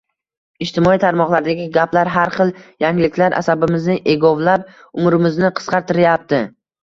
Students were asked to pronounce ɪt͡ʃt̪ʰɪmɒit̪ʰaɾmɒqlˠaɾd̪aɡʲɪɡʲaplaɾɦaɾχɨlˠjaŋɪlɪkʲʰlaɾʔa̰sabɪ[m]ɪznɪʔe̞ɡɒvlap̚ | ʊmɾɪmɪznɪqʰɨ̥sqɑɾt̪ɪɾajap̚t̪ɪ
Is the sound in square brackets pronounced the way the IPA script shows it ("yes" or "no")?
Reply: yes